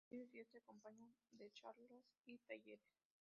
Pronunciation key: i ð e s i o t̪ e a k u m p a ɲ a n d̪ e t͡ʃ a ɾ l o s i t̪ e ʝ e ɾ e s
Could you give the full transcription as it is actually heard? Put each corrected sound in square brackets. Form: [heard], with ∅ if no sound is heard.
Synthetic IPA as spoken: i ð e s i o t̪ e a k [o] m p a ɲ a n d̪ e t͡ʃ a ɾ l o s i t̪ [a] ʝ e ɾ e s